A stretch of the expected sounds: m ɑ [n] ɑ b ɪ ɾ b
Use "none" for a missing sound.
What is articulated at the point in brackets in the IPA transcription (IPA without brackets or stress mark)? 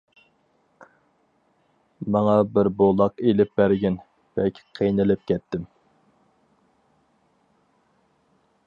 ŋ